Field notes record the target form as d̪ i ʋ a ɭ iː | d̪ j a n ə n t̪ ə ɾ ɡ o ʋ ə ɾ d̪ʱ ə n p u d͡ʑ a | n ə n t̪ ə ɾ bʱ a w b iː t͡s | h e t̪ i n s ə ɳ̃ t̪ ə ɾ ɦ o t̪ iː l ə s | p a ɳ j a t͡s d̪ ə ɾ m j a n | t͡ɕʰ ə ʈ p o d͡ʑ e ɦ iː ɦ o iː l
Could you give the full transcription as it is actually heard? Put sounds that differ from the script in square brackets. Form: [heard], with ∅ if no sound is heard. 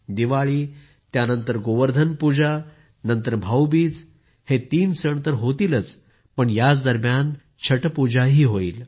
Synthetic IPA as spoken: d̪ i ʋ a ɭ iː | [t̪] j a n ə n t̪ ə ɾ ɡ o ʋ ə ɾ d̪ʱ ə n p u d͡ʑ a | n ə n t̪ ə ɾ bʱ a w b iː t͡s | h e t̪ [iː] n s ə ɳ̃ t̪ ə ɾ ɦ o t̪ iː l ə [t͡s] | p [ə] ɳ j a t͡s d̪ ə ɾ m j a n | t͡ɕʰ ə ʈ p [u] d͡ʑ [a] ɦ iː ɦ o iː l